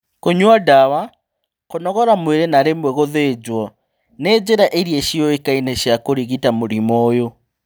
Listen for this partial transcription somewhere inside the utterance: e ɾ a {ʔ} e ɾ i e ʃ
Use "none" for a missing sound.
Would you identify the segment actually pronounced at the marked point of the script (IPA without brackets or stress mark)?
ʔ